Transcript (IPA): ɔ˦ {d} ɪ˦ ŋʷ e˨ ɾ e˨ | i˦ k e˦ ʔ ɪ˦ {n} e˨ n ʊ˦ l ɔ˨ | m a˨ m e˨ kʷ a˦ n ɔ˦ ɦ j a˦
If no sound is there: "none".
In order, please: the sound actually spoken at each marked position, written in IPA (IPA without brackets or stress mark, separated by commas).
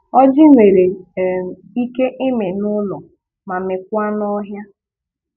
d͡ʒ, m